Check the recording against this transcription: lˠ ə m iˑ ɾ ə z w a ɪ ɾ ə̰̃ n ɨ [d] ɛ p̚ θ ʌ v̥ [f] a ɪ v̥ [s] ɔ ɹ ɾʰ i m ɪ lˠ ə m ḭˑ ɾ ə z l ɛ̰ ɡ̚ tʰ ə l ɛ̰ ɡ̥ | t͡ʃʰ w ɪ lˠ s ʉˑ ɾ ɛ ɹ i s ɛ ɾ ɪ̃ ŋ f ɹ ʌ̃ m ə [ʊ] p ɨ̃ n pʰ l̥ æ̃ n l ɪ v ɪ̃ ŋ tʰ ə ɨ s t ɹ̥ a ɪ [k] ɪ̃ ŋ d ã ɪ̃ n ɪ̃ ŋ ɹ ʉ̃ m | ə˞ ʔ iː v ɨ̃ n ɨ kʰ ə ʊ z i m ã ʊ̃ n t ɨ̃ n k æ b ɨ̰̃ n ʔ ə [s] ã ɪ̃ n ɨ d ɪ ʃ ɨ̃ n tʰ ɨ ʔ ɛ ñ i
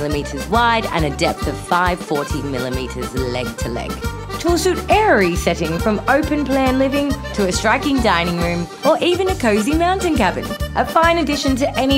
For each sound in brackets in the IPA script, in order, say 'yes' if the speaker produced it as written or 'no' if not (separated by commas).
yes, yes, no, yes, yes, no